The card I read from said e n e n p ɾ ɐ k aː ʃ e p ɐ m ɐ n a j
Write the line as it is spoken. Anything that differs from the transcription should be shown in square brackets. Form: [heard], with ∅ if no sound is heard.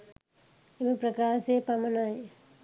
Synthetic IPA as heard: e [m] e [∅] p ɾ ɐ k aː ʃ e p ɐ m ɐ n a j